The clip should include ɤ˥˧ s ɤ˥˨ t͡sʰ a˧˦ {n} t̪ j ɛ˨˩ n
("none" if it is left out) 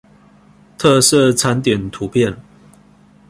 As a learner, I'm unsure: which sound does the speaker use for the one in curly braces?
n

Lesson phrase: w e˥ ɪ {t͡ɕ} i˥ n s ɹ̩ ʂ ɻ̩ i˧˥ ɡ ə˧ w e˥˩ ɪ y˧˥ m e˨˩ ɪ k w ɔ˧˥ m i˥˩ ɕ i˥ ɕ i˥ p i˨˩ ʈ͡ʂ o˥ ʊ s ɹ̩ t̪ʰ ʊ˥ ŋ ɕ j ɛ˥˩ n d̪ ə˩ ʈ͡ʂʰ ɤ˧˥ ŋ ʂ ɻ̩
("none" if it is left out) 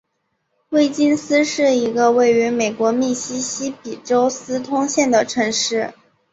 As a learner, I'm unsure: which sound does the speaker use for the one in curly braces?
t͡ɕ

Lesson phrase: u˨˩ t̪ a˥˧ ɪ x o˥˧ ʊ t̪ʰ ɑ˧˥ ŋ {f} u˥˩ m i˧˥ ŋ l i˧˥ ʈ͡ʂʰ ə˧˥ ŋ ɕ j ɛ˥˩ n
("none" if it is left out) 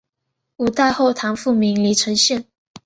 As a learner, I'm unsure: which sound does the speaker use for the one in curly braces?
f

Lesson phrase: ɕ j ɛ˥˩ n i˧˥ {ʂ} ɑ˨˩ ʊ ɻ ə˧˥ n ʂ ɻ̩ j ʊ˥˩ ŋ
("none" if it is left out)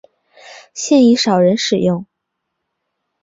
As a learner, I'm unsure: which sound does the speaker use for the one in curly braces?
ʂ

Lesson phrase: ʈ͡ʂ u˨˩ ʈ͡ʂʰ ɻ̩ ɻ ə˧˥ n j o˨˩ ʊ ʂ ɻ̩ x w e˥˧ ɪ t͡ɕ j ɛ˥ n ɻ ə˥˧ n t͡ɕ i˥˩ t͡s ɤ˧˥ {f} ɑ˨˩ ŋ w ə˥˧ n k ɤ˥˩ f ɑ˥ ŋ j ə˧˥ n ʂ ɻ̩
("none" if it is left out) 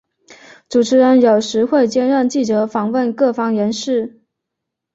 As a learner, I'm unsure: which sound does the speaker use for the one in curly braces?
f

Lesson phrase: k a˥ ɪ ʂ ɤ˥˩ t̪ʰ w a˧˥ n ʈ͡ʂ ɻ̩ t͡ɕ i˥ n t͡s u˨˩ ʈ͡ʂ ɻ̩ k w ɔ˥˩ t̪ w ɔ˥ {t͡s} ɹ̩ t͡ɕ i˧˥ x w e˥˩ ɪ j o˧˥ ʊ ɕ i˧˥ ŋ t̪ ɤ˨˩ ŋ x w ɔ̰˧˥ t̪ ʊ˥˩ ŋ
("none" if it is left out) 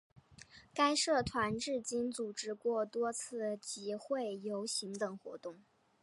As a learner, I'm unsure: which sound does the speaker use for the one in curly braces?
t͡sʰ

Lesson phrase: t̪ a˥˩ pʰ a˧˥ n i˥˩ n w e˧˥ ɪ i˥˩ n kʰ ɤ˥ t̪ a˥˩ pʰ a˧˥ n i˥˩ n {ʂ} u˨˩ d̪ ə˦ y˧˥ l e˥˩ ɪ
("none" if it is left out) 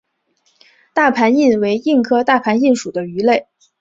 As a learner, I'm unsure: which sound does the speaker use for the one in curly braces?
ʂ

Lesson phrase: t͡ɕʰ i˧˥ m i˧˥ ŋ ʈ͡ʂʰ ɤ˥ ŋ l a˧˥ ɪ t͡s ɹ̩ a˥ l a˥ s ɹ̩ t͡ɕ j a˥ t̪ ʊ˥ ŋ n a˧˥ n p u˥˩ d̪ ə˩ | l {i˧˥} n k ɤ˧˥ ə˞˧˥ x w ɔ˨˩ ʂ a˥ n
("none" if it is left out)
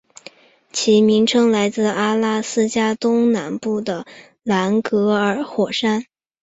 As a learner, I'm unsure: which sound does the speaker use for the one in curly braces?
a˧˥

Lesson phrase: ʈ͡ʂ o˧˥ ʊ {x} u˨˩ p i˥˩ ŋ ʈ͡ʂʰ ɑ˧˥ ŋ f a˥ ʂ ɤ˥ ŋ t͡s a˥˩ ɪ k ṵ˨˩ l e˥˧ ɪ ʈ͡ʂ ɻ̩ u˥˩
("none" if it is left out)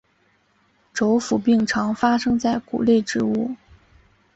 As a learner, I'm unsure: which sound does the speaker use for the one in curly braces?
f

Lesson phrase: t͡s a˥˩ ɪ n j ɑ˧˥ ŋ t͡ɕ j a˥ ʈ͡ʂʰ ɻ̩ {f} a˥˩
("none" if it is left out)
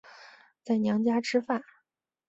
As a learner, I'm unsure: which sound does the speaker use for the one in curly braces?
f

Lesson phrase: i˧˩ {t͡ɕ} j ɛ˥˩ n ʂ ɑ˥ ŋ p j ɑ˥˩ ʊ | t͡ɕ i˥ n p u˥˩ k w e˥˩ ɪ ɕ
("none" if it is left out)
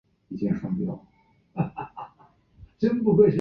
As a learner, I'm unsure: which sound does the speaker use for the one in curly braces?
t͡ɕ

